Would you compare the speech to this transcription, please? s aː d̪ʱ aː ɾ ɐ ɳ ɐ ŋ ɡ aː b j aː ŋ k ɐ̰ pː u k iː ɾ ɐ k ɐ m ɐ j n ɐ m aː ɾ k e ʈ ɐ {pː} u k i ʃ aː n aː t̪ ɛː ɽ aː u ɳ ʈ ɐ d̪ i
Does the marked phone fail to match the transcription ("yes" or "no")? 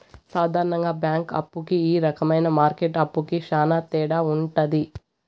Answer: no